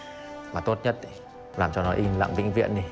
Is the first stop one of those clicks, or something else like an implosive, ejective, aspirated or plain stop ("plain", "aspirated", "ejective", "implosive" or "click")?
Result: plain